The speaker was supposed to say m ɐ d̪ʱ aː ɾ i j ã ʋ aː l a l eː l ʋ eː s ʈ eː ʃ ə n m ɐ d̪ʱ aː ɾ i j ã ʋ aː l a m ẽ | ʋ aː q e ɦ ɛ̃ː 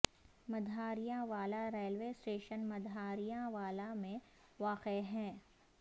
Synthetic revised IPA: m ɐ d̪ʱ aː ɾ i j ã ʋ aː l a ɾ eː l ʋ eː s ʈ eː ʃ ə n m ɐ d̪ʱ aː ɾ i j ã ʋ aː l a m ẽ | ʋ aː q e ɦ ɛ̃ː